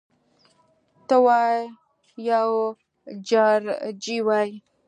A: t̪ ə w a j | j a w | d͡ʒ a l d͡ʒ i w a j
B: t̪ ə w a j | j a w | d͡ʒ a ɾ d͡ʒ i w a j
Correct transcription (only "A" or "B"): B